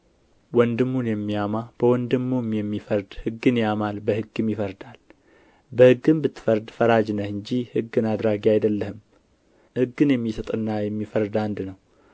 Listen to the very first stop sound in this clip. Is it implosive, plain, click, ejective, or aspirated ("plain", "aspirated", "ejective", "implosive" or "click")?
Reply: plain